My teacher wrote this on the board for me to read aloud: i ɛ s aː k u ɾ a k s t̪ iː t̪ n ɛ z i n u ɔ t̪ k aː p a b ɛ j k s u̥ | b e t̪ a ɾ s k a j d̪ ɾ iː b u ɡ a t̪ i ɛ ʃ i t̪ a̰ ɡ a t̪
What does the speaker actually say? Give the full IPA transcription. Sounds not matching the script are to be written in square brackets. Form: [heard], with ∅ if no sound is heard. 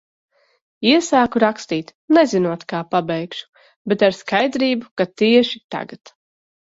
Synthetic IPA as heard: i ɛ s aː k u ɾ a k s t̪ iː t̪ n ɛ z i n u ɔ t̪ k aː p a b ɛ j k [ʃ] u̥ | b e t̪ a ɾ s k a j d̪ ɾ iː b u [k] a t̪ i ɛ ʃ i t̪ a̰ ɡ a t̪

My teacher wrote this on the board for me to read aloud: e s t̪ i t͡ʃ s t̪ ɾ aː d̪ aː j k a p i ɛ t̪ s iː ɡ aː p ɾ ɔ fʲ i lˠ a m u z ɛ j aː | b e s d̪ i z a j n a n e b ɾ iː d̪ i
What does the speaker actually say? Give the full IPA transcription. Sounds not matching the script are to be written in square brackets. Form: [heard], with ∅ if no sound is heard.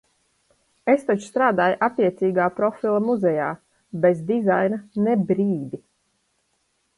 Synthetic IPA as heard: e s t̪ [a] t͡ʃ s t̪ ɾ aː d̪ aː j [ʔ] a p i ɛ t̪ s iː ɡ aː p ɾ ɔ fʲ i lˠ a m u z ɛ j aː | b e [z] d̪ i z a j n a n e b ɾ iː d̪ i

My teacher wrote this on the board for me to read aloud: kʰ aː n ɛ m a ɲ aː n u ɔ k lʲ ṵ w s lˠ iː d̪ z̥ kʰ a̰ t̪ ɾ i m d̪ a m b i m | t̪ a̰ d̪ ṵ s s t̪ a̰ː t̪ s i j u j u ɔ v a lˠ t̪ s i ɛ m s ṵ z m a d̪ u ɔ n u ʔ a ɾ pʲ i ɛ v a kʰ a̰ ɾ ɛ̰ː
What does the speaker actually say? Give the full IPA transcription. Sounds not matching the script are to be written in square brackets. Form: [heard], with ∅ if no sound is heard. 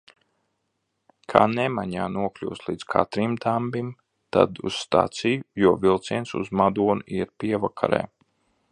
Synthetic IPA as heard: kʰ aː n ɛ m a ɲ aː n u ɔ k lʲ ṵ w s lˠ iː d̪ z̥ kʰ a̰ t̪ ɾ i m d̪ a m b i m | t̪ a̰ d̪ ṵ s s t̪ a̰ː t̪ s i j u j u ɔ v [i] lˠ t̪ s i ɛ [n] s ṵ z m a d̪ u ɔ n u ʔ [i] ɾ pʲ i ɛ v a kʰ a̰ ɾ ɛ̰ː

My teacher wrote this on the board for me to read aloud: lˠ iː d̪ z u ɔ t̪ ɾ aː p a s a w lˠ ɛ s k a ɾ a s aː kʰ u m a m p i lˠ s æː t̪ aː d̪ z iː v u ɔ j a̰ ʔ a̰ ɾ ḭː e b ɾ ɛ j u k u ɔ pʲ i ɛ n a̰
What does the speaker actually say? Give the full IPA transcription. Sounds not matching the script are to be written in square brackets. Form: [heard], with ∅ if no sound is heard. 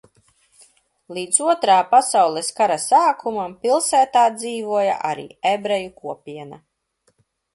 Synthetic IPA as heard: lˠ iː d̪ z u ɔ t̪ ɾ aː p a s a w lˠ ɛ s k a ɾ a s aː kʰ u m a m p i lˠ s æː t̪ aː d̪ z iː v u ɔ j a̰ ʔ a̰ ɾ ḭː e b ɾ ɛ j u k u ɔ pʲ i ɛ n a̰

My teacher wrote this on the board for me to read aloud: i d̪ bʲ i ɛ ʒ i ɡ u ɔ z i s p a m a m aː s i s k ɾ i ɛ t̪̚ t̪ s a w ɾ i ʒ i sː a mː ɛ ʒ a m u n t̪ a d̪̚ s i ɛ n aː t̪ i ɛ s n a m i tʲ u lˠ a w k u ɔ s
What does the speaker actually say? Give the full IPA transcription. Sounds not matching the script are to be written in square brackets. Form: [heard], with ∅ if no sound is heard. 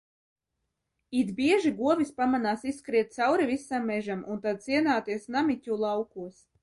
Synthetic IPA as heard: i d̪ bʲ i ɛ ʒ i ɡ u ɔ [v] i s p a m a [n] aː s i s k ɾ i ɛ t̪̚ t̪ s a w ɾ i [v] i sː a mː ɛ ʒ a m u n t̪ a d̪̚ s i ɛ n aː t̪ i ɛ s n a m i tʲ u lˠ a w k u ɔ s

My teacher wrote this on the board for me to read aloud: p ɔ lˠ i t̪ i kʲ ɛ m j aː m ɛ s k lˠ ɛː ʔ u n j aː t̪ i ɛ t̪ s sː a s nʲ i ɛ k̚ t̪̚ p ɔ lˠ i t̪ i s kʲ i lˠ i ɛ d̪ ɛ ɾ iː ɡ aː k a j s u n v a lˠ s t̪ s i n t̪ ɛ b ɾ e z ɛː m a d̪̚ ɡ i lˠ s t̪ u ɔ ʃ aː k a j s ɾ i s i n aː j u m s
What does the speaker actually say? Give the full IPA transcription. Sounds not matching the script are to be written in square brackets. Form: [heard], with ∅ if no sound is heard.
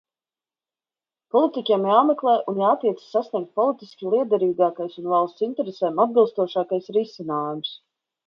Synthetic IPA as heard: p ɔ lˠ i t̪ i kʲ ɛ m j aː m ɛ [∅] k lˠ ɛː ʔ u n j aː t̪ i ɛ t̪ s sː a s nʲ i ɛ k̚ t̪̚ p ɔ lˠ i t̪ i s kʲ i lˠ i ɛ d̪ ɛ ɾ iː ɡ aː k a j s u n v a lˠ s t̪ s i n t̪ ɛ [∅] ɾ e [s] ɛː m a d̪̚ [b] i lˠ s t̪ u ɔ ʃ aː k a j s ɾ i s i n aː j u m s

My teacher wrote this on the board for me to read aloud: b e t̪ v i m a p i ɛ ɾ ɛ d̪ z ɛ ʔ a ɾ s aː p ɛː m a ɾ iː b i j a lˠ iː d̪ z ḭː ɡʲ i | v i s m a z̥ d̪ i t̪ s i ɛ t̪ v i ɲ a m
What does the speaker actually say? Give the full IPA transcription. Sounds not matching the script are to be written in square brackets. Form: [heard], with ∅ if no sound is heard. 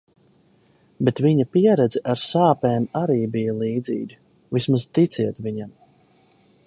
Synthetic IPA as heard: b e t̪ v i [ɲ] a p i ɛ ɾ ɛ d̪ z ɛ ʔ a ɾ s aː p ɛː m a ɾ iː b i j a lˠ iː d̪ z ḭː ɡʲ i | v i s m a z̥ [t̪] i t̪ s i ɛ t̪ v i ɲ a m

